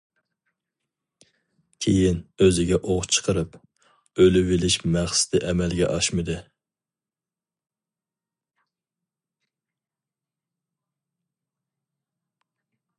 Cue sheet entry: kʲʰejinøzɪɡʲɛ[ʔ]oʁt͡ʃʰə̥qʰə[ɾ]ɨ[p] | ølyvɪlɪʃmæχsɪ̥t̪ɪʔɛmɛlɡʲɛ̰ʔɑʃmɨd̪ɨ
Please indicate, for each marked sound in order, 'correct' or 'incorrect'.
correct, correct, correct

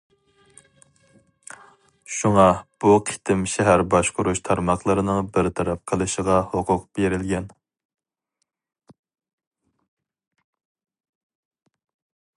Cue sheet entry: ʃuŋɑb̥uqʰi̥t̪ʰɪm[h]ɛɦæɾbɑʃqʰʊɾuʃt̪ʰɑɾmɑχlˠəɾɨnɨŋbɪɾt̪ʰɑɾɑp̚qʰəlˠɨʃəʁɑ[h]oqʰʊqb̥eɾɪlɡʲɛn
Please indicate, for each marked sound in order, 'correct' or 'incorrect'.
incorrect, correct

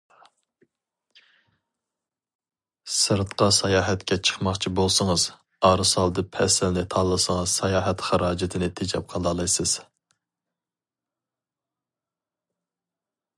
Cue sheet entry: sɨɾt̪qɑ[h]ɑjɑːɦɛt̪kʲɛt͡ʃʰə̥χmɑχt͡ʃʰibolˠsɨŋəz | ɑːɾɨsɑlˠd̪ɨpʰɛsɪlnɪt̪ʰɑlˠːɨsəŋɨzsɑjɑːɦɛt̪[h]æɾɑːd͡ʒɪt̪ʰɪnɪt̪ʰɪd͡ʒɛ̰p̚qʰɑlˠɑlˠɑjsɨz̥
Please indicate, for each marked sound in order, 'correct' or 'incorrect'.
incorrect, incorrect

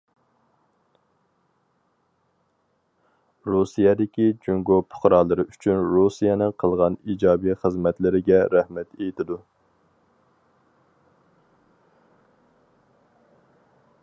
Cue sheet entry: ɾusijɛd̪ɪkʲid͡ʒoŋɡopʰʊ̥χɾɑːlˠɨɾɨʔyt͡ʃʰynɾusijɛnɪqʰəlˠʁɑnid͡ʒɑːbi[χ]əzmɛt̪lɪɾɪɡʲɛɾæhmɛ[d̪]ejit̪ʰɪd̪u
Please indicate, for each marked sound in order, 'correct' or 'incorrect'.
correct, incorrect

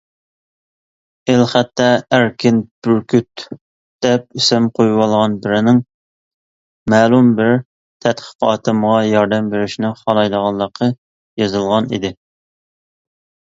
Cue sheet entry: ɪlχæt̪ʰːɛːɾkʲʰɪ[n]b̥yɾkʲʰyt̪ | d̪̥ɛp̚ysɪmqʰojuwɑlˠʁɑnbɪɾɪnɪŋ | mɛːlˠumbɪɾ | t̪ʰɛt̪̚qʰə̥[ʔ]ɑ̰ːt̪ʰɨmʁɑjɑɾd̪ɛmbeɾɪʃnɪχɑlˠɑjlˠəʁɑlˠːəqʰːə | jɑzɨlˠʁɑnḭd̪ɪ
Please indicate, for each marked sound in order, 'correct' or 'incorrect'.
correct, incorrect

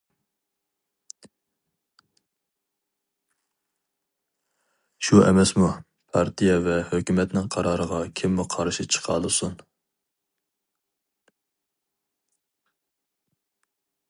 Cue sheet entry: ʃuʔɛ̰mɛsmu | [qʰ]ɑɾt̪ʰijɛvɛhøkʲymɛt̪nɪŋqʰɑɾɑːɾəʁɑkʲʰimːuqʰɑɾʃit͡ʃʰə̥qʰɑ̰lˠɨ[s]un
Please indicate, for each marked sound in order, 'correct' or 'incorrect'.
incorrect, correct

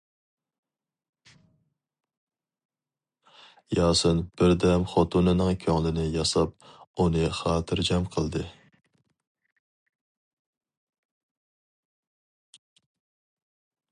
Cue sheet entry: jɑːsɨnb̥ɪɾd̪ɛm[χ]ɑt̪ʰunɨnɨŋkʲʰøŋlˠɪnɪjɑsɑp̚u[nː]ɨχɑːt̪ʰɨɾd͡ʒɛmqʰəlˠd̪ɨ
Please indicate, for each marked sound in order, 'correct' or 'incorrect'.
correct, incorrect

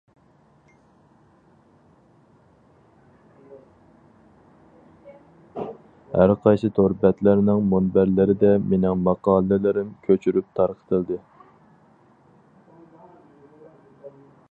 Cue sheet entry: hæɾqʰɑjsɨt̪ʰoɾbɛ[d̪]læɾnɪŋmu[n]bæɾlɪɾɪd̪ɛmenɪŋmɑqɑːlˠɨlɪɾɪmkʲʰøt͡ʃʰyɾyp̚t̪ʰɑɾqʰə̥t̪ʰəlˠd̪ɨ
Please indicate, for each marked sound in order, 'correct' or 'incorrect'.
incorrect, correct

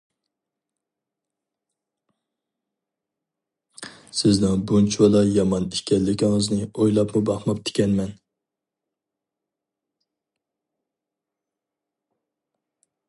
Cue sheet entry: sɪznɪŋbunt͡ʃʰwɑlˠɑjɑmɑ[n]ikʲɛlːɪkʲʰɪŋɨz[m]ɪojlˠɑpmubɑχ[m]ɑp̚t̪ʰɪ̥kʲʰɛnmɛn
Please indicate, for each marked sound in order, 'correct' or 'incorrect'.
correct, incorrect, correct

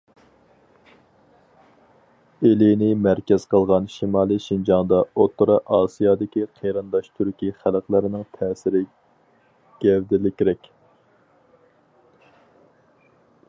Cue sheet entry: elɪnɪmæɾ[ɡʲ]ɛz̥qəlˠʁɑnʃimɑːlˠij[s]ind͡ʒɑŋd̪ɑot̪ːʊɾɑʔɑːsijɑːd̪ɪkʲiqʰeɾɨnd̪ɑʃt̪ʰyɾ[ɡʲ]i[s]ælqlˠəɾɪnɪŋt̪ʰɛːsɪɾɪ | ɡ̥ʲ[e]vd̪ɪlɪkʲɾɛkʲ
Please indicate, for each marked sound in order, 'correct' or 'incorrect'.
incorrect, incorrect, incorrect, incorrect, incorrect

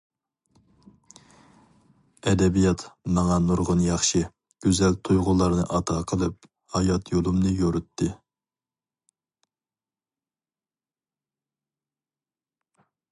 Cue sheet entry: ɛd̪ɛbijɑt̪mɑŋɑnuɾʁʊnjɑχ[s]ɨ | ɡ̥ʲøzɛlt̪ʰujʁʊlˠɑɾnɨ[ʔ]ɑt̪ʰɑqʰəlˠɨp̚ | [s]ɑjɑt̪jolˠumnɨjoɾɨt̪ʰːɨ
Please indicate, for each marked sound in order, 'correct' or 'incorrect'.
incorrect, correct, incorrect

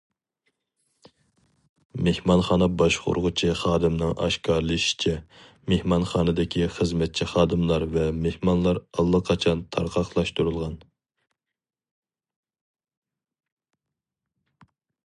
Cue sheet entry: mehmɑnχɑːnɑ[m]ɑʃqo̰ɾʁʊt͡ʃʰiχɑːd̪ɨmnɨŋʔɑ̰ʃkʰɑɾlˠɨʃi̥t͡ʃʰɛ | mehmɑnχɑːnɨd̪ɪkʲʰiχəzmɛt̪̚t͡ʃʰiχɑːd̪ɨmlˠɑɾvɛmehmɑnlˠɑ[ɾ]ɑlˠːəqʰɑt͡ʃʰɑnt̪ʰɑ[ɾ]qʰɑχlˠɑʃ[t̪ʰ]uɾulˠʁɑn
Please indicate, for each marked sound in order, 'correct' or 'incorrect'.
incorrect, correct, correct, incorrect

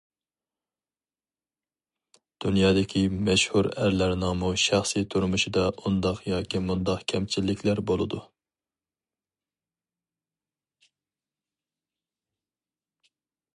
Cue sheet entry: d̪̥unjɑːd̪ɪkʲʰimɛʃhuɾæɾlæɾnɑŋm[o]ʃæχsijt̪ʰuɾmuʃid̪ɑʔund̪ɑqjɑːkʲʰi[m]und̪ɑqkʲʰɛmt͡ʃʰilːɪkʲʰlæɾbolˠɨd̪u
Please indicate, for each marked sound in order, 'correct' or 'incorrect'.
incorrect, correct

